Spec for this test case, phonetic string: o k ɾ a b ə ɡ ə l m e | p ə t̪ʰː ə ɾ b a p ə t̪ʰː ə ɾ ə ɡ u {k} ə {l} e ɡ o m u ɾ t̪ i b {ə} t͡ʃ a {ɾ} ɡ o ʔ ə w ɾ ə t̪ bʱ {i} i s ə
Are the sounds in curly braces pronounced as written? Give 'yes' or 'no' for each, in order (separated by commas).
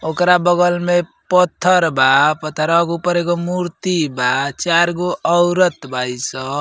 no, no, no, yes, no